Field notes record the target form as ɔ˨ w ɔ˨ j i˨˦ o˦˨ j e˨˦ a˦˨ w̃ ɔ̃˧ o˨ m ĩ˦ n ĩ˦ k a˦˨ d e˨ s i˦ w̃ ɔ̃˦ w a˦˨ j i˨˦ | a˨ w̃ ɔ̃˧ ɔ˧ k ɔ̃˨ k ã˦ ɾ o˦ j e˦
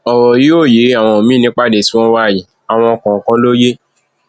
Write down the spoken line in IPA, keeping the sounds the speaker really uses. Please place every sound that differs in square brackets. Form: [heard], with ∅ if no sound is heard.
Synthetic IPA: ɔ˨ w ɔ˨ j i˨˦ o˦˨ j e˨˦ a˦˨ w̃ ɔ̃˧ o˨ m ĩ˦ n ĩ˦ [k͡p] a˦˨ d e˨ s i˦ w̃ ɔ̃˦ w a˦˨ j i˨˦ | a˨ w̃ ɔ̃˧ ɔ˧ k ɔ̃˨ k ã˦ [l] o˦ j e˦